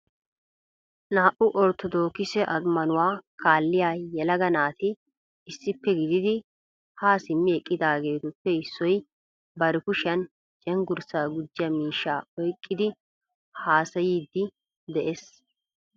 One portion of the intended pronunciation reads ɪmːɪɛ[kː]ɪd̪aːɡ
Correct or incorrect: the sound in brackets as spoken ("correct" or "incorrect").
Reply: incorrect